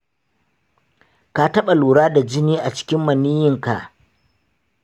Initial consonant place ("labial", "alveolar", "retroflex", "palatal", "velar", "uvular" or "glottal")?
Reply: velar